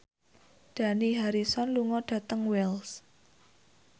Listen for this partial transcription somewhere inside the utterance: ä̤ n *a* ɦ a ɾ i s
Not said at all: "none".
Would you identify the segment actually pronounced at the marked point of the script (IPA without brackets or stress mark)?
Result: i